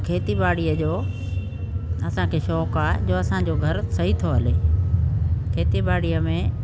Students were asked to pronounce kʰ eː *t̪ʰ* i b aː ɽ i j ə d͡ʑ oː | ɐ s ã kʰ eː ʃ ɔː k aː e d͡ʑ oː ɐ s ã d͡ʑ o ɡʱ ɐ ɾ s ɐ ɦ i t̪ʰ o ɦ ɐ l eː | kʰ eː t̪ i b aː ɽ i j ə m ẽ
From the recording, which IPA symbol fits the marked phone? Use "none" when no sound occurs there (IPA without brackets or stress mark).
t̪